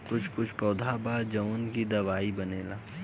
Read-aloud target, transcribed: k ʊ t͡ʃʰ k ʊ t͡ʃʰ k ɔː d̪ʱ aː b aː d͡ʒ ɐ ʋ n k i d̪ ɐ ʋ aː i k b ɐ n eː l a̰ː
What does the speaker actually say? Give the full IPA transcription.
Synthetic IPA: k ʊ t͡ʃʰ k ʊ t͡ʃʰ p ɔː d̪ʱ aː b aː d͡ʒ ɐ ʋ n k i d̪ ɐ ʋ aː i b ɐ n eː l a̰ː